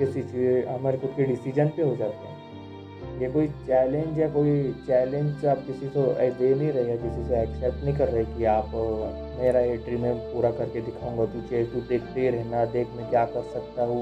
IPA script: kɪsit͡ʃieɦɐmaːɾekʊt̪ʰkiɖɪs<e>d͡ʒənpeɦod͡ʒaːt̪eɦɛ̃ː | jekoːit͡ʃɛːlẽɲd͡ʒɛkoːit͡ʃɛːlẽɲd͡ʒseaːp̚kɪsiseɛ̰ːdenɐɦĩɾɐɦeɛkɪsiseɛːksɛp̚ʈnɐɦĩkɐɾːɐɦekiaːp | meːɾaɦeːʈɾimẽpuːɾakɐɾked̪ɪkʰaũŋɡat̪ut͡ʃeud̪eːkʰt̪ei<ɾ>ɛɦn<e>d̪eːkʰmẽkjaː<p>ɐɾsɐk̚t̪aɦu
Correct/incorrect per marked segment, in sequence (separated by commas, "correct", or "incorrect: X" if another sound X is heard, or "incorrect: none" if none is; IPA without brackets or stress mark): incorrect: i, correct, incorrect: a, incorrect: k